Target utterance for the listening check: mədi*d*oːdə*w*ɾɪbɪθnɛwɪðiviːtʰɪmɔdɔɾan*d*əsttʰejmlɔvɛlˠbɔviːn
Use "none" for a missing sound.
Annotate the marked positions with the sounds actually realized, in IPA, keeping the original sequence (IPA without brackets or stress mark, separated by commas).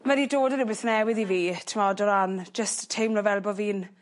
d, none, d͡ʒ